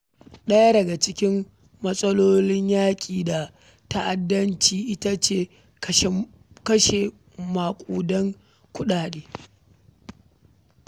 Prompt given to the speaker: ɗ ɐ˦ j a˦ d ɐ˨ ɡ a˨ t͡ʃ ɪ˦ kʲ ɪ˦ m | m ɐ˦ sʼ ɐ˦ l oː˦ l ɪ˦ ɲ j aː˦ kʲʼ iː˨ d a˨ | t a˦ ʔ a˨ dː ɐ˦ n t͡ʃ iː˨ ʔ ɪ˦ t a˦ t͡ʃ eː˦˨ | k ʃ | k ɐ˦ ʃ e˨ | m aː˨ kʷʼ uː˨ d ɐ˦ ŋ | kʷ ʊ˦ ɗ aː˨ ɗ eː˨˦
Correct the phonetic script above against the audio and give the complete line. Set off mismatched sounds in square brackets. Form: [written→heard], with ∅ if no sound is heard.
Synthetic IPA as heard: ɗ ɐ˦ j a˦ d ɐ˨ ɡ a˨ t͡ʃ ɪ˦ kʲ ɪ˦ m | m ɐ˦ sʼ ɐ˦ l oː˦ l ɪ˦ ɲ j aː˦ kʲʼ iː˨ d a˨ | t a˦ ʔ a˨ dː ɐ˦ n t͡ʃ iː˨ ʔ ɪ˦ t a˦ t͡ʃ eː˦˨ | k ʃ | k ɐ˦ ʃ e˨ | m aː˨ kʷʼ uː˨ d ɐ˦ ŋ | kʷ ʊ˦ ɗ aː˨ ɗ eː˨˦